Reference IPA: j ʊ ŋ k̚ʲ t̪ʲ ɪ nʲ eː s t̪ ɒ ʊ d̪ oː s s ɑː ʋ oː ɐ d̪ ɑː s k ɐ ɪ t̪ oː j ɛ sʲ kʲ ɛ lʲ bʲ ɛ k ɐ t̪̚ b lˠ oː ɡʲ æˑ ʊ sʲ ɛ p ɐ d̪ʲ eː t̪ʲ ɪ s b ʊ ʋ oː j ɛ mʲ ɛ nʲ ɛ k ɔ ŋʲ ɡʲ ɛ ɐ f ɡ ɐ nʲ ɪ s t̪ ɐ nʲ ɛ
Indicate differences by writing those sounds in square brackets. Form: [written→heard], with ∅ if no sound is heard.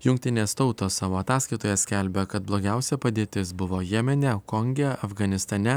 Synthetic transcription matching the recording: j ʊ ŋ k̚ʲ t̪ʲ ɪ nʲ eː s t̪ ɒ ʊ [d̪→t̪] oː s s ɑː ʋ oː ɐ [d̪→t̪] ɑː s k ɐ ɪ t̪ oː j ɛ sʲ kʲ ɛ lʲ bʲ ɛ k ɐ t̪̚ b lˠ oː ɡʲ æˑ ʊ sʲ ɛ p ɐ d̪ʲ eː t̪ʲ ɪ s b ʊ ʋ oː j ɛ mʲ ɛ nʲ ɛ k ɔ ŋʲ ɡʲ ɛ ɐ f ɡ ɐ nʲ ɪ s t̪ ɐ nʲ ɛ